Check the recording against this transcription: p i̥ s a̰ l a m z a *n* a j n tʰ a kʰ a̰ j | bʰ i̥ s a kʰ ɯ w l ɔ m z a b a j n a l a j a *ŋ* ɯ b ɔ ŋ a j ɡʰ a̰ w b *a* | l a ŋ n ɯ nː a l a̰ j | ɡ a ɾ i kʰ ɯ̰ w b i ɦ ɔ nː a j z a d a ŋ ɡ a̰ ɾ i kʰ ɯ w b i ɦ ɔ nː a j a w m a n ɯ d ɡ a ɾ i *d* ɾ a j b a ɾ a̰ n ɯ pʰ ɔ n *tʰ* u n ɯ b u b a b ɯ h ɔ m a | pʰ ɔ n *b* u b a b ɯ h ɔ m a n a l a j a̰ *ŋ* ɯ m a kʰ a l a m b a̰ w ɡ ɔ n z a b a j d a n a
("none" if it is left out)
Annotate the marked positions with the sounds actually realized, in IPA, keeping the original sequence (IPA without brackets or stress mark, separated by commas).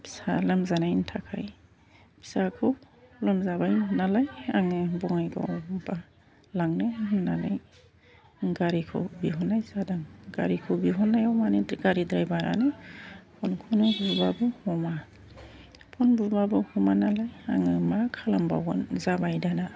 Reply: n, ŋ, a, d, kʰ, b, ŋ